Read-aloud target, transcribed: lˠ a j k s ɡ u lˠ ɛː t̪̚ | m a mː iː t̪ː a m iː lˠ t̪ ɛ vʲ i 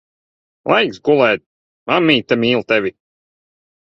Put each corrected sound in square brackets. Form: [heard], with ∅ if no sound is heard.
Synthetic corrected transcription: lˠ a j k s ɡ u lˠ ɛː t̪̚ | m a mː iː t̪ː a m iː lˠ t̪ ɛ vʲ i